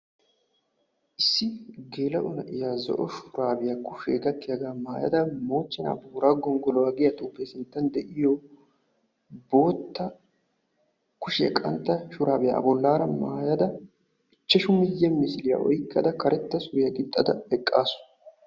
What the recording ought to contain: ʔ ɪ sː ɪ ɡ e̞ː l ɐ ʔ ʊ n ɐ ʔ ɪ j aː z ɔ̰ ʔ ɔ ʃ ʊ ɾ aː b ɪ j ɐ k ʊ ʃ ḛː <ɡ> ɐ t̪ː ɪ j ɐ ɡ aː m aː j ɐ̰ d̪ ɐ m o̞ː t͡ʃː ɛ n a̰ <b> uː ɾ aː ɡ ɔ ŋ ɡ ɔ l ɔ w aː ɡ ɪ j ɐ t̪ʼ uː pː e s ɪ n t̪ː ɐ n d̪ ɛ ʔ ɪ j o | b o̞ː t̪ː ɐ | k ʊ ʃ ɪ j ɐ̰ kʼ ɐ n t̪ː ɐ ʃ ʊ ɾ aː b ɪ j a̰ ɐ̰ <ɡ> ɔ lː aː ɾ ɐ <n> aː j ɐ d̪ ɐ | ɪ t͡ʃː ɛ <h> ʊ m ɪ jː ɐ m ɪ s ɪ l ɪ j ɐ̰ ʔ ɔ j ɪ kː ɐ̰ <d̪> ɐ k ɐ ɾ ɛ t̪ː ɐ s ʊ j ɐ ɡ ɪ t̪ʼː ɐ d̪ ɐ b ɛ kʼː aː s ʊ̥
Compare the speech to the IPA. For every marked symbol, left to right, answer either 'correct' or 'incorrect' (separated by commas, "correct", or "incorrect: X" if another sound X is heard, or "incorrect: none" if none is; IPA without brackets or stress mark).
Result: correct, correct, incorrect: b, incorrect: m, incorrect: ʃ, correct